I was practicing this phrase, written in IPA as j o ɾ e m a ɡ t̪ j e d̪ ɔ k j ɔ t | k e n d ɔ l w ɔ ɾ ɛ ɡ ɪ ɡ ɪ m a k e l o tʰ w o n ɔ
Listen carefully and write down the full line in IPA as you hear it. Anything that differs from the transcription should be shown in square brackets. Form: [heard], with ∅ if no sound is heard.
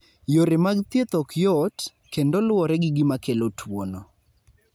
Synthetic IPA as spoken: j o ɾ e m a ɡ t̪ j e [t̪] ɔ k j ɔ t | k e n d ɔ l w ɔ ɾ ɛ ɡ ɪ ɡ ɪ m a k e l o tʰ w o n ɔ